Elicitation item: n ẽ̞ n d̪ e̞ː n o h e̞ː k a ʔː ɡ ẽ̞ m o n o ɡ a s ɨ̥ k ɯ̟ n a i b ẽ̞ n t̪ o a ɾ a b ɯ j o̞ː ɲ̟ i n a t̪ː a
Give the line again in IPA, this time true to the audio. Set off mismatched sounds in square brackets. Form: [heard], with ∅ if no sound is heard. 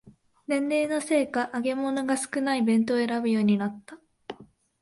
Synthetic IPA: n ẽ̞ n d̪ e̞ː n o [s] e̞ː k a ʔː ɡ [e̞] m o n o ɡ a s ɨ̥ k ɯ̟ n a i b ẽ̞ n t̪ o [e] ɾ a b ɯ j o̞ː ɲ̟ i n a t̪ː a

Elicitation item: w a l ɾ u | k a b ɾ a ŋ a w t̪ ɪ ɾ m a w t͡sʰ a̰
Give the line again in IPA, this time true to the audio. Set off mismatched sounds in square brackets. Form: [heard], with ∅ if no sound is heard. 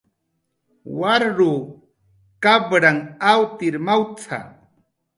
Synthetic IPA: w a [ɾ] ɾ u | k a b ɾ a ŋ a w t̪ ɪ ɾ m a w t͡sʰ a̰

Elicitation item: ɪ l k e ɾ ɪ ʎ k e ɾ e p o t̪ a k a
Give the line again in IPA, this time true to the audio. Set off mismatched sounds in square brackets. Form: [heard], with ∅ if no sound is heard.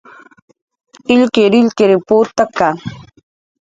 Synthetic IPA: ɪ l k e ɾ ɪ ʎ k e ɾ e p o t̪ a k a

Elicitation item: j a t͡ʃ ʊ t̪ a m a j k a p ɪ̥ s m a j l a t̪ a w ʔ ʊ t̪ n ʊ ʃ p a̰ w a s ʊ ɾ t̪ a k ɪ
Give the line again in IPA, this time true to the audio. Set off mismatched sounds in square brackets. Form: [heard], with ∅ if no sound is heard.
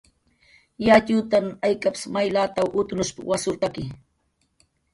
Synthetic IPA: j a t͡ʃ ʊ t̪ a m a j k a p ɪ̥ s m a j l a t̪ a w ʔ ʊ t̪ n ʊ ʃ p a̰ w a s ʊ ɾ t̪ a k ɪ

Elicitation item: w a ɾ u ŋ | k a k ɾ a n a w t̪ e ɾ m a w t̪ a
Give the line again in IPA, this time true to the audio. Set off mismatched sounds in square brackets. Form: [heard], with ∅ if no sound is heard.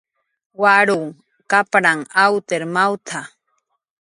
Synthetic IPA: w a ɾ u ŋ | k a [p] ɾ a [ŋ] a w t̪ e ɾ m a w [t̪ʰ] a

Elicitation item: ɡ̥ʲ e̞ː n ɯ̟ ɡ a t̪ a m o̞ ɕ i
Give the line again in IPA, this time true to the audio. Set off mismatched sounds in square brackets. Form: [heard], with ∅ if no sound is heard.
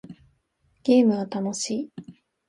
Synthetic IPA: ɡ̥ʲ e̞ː [m] ɯ̟ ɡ a t̪ a [n] o̞ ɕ [iː]

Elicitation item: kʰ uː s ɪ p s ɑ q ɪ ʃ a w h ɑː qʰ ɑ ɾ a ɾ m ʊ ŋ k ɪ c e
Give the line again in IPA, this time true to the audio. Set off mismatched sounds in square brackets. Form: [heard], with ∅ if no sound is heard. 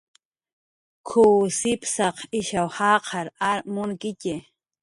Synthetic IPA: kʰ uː s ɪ p s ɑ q ɪ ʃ a w h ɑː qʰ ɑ ɾ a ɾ m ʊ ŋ k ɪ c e

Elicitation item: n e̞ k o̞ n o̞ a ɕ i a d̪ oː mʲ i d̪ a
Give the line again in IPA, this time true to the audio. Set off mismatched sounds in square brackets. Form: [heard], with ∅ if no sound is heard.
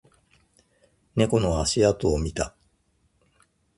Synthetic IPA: n e̞ k o̞ n o̞ a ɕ i a [t̪] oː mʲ i [t̪] a

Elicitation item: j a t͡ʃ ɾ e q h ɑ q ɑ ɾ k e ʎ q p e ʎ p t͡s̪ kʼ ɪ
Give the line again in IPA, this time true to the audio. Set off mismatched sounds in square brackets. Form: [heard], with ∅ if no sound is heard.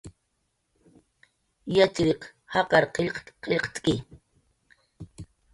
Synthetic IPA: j a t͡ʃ ɾ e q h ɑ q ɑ ɾ [q] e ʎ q [q] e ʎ [q] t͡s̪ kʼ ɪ

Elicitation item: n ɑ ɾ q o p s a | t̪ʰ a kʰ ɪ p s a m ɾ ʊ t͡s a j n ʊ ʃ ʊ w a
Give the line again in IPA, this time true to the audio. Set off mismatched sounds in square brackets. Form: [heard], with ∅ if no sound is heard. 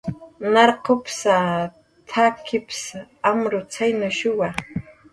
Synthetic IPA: n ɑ ɾ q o p s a | t̪ʰ a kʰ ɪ p s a m ɾ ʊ t͡s a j n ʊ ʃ ʊ w a

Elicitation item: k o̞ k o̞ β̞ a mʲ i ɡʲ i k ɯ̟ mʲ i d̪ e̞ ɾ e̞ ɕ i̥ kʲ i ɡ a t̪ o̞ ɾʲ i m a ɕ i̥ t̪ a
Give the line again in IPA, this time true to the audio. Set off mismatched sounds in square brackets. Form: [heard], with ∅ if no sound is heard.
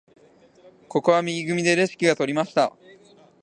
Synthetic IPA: k o̞ k o̞ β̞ a mʲ i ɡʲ i [ɡ] ɯ̟ mʲ i d̪ e̞ ɾ e̞ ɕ i̥ kʲ i ɡ a t̪ o̞ ɾʲ i m a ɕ i̥ t̪ a

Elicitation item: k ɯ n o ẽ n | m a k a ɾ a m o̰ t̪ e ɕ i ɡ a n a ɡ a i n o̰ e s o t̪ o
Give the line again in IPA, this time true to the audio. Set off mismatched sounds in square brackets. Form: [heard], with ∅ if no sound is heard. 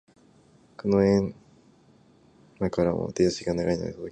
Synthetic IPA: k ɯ n o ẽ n | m a k a ɾ a m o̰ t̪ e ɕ i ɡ a n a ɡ a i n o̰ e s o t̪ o

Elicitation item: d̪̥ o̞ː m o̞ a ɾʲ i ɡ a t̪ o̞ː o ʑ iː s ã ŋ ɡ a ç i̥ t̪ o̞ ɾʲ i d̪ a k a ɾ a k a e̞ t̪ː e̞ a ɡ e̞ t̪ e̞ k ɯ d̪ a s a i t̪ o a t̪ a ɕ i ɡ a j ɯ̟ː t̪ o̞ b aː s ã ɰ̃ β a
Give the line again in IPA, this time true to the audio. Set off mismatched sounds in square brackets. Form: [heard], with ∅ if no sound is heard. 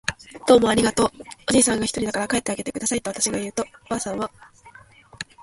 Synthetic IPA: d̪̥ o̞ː m o̞ a ɾʲ i ɡ a t̪ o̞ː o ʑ iː s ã ŋ ɡ a ç i̥ t̪ o̞ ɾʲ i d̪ a k a ɾ a k a e̞ t̪ː e̞ a ɡ e̞ t̪ e̞ k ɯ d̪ a s a i t̪ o a t̪ a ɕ i ɡ a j ɯ̟ː t̪ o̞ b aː s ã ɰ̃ β a

